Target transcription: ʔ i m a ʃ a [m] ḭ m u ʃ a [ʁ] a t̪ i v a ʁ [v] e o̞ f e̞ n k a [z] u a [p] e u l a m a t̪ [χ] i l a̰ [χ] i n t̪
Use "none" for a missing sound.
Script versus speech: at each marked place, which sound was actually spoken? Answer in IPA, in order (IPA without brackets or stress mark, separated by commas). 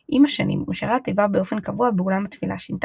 n, ʁ, b, v, b, f, ʃ